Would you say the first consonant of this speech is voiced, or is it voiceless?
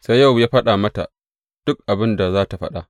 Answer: voiceless